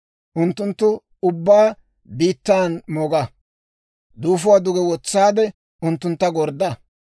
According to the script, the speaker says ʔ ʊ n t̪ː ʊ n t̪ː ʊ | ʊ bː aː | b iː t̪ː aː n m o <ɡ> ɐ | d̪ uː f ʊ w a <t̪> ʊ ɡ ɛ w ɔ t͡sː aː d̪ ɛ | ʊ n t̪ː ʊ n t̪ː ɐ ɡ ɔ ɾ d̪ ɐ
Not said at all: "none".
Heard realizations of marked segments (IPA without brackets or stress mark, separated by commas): ɡ, d̪